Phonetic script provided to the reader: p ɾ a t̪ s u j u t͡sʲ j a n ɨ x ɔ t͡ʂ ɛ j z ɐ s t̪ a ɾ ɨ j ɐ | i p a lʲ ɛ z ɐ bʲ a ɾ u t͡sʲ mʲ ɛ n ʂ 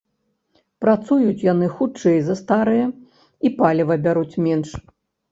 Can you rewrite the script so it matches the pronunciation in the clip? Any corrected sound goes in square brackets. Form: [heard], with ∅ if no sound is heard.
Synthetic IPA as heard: p ɾ a t̪ s u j u t͡sʲ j a n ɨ x [u] t͡ʂ ɛ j z ɐ s t̪ a ɾ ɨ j ɐ | i p a lʲ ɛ [v] ɐ bʲ a ɾ u t͡sʲ mʲ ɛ n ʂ